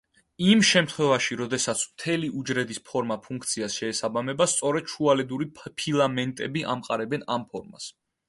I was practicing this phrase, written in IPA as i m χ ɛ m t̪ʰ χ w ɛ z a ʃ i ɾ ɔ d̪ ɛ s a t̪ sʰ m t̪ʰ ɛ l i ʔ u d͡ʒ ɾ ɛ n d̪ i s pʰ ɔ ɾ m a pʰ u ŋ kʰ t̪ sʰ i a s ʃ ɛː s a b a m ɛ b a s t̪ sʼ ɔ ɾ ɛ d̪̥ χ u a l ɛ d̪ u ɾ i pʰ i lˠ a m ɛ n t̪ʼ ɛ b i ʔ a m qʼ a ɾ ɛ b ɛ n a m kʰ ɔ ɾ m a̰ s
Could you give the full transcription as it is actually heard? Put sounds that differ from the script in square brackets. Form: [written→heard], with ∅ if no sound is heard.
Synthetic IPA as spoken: i m [χ→ʃ] ɛ m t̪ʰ χ w ɛ [z→v] a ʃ i ɾ ɔ d̪ ɛ s a t̪ sʰ m t̪ʰ ɛ l i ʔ u d͡ʒ ɾ ɛ [n→∅] d̪ i s pʰ ɔ ɾ m a pʰ u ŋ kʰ t̪ sʰ i a s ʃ ɛː s a b a m ɛ b a s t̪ sʼ ɔ ɾ ɛ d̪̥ [χ→ʃ] u a l ɛ d̪ u ɾ i pʰ i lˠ a m ɛ n t̪ʼ ɛ b i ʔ a m qʼ a ɾ ɛ b ɛ n a m [kʰ→pʰ] ɔ ɾ m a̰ s